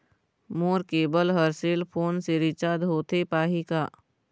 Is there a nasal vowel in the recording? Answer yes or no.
no